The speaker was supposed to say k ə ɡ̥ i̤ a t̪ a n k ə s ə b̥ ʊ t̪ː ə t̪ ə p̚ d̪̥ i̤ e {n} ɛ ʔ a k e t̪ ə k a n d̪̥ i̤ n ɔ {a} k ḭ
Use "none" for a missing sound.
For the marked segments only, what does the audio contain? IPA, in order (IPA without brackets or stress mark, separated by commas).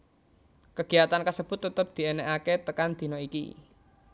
n, i